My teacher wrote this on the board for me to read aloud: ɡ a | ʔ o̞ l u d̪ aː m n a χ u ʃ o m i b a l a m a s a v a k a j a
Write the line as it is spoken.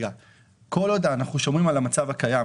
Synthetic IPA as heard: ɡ a | k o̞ l o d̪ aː n a χ u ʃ o m i m a l a m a t͡s a v a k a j a